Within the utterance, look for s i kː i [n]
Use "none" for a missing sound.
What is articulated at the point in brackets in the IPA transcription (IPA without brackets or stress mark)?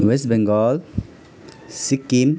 m